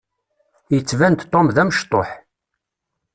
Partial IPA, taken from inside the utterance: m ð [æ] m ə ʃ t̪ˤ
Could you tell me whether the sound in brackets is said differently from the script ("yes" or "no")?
no